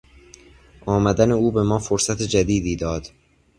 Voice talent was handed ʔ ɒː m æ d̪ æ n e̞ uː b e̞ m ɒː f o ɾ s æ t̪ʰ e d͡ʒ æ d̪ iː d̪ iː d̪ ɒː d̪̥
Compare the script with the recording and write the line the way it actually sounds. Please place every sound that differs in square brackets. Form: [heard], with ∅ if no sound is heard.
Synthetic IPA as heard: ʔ ɒː m æ d̪ æ n e̞ uː b e̞ m ɒː f o ɾ s æ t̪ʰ e d͡ʒ æ d̪ iː d̪ iː d̪ ɒː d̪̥